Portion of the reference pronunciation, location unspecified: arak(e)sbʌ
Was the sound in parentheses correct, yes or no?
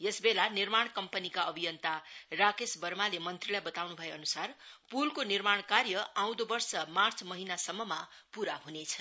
yes